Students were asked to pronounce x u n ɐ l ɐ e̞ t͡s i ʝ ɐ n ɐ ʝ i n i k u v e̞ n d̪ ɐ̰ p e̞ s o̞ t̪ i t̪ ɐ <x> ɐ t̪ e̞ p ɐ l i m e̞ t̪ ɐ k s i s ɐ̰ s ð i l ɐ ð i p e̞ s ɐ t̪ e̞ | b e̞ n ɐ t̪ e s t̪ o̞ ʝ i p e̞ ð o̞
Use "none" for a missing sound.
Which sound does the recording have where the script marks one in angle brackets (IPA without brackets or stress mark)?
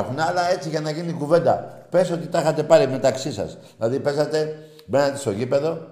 x